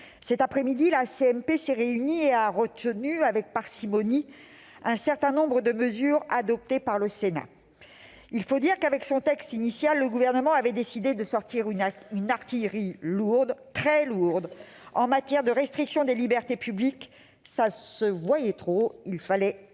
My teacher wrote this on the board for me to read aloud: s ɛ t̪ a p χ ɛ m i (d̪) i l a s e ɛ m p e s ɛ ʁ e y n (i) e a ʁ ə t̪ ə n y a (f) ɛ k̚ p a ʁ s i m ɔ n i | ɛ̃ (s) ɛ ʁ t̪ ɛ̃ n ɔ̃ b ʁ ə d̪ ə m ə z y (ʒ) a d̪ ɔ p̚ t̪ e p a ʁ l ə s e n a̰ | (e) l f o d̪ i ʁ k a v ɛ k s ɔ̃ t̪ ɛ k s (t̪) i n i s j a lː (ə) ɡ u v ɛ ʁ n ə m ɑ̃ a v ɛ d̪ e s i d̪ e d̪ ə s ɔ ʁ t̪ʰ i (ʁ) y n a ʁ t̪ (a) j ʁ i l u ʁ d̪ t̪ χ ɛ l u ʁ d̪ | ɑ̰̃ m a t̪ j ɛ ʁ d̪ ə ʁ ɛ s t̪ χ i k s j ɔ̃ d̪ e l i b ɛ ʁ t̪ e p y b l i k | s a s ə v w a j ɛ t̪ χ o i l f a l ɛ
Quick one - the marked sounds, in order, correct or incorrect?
correct, correct, incorrect, correct, incorrect, incorrect, correct, correct, correct, incorrect

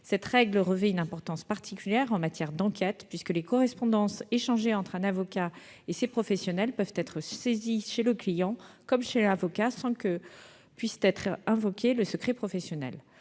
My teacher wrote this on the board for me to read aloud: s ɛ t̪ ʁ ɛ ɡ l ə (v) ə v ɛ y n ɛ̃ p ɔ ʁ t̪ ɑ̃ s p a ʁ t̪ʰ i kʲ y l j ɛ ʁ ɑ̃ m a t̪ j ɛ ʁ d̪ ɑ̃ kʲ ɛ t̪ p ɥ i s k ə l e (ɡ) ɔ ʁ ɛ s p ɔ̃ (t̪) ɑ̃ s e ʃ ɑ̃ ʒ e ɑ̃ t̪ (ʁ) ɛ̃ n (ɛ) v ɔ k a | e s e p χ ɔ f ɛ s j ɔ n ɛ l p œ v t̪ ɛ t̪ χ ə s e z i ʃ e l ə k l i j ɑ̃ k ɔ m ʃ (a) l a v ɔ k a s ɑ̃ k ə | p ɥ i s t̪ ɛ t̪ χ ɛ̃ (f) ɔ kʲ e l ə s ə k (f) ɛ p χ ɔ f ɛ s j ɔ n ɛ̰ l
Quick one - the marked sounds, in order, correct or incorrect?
incorrect, incorrect, incorrect, incorrect, incorrect, incorrect, incorrect, incorrect

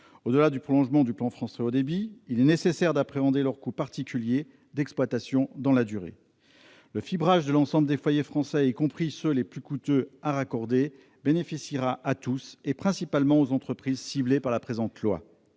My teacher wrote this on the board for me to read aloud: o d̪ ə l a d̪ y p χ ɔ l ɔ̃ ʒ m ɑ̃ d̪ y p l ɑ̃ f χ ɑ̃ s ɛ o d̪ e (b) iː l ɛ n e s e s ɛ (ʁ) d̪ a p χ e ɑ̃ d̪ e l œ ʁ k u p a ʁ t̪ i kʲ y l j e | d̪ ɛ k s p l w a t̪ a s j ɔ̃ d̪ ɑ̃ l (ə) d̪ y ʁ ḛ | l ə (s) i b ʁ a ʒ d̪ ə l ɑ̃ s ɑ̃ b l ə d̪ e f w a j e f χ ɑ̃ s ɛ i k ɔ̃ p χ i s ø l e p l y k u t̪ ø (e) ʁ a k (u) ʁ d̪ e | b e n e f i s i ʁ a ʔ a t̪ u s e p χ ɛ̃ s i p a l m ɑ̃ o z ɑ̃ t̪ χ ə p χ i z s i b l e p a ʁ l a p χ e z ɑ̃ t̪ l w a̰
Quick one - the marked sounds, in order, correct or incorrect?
correct, correct, incorrect, incorrect, incorrect, incorrect

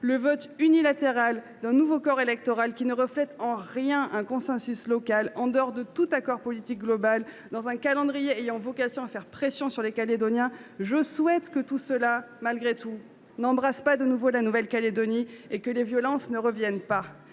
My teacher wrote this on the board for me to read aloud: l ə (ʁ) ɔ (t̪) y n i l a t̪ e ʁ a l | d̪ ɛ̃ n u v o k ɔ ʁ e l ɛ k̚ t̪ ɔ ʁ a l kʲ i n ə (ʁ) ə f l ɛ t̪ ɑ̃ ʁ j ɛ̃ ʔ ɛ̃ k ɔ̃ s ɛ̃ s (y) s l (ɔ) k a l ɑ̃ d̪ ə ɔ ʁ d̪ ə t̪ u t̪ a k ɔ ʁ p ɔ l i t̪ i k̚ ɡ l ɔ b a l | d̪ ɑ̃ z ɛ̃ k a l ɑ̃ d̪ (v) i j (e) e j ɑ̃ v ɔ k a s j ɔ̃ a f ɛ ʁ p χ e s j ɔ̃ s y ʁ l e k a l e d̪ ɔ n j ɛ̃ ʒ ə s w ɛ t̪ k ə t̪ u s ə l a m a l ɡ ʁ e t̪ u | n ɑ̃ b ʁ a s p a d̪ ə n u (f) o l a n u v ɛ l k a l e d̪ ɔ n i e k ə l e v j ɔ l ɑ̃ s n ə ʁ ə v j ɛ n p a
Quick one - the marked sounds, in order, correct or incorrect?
incorrect, correct, correct, correct, correct, incorrect, correct, incorrect

